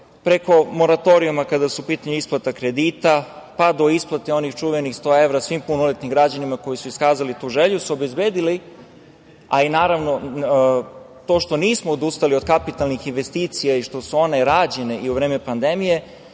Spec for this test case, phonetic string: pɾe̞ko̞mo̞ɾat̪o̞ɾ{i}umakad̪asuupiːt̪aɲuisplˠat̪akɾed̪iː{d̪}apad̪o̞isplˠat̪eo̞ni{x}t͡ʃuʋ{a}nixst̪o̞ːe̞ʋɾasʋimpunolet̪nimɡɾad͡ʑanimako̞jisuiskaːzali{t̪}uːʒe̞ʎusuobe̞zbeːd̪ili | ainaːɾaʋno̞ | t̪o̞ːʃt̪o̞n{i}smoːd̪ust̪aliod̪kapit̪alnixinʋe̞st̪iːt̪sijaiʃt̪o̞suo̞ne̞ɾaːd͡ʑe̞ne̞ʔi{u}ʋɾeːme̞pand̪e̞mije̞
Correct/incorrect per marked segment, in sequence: correct, incorrect: t̪, correct, incorrect: e, correct, incorrect: iː, correct

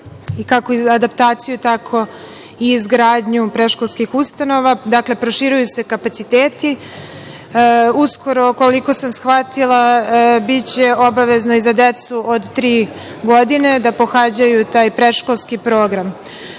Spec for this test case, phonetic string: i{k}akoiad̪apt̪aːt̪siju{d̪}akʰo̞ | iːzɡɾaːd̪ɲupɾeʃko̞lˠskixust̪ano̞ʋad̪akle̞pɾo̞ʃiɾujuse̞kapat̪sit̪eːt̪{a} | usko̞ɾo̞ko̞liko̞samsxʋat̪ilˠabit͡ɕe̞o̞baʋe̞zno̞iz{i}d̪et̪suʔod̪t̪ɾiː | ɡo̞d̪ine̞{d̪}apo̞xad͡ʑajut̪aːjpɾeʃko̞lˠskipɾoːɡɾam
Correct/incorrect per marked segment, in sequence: correct, incorrect: t̪, incorrect: i, incorrect: a, correct

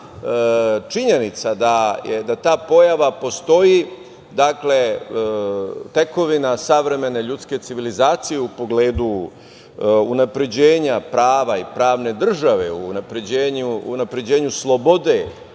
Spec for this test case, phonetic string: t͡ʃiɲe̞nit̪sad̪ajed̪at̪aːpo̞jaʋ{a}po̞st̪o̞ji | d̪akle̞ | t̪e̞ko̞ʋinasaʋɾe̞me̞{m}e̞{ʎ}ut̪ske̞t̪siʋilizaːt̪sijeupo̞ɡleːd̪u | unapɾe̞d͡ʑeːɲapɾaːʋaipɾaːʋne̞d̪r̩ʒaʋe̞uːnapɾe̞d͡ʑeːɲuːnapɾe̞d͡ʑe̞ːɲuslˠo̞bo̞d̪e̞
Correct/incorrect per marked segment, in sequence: correct, incorrect: n, correct

